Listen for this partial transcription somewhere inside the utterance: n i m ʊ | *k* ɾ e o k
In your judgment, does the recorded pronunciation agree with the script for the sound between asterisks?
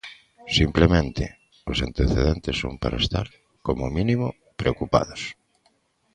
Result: no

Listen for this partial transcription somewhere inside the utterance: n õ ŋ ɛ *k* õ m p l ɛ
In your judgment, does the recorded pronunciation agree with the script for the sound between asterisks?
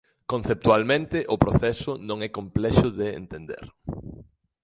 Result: yes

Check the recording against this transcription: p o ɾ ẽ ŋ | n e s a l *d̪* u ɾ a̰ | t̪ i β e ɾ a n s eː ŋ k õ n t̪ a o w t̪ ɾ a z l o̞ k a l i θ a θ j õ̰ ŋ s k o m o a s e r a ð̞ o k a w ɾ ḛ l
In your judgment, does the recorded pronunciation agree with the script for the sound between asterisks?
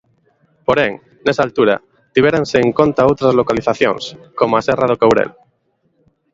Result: no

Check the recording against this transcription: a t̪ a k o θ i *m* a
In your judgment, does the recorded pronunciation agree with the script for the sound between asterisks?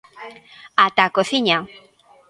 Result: no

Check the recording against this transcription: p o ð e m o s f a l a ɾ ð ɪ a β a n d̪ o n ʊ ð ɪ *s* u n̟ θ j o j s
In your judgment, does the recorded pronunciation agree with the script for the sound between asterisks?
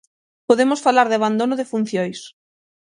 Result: no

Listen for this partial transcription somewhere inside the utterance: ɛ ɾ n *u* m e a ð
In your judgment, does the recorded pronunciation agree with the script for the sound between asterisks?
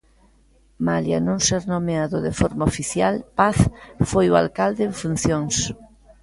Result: no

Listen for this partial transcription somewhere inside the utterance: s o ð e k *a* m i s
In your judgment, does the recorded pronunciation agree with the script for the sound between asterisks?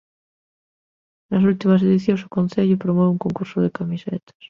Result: yes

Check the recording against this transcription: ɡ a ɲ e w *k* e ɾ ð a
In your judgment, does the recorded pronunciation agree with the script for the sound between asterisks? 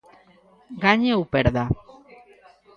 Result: no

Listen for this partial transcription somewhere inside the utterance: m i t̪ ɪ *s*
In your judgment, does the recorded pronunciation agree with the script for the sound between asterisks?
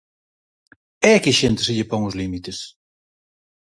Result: yes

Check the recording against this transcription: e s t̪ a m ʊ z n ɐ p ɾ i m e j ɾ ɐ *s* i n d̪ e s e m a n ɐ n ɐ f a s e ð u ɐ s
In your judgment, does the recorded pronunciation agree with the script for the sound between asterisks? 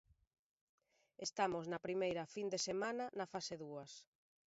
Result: no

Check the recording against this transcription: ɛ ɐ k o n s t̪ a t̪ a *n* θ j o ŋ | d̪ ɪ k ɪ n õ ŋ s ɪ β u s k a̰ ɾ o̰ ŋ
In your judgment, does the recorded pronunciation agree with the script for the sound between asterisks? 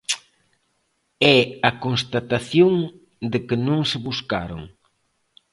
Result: no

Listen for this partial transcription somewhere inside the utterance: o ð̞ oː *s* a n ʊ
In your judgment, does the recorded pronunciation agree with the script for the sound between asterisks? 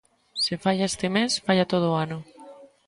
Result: no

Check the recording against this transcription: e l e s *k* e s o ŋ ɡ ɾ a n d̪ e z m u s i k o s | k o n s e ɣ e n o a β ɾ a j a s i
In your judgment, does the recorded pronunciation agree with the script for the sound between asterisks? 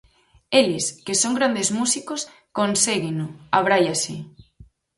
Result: yes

